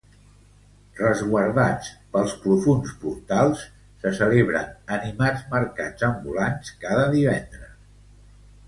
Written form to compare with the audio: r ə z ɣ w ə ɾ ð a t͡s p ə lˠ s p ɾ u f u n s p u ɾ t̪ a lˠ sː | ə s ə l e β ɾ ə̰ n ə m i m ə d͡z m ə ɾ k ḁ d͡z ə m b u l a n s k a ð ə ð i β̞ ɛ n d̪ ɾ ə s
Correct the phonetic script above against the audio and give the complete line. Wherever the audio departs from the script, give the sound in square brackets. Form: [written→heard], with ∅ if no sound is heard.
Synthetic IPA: r ə z ɣ w ə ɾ ð a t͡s p ə lˠ s p ɾ u f u n s p u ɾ t̪ a lˠ sː | ə s ə l e β ɾ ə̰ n ə [m→n] i m [ə→a] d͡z m ə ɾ k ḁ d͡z ə m b u l a n s k a ð ə ð i β̞ ɛ n d̪ ɾ ə s